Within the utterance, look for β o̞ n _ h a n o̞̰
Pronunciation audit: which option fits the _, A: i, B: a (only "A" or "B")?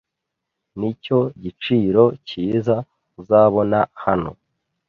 B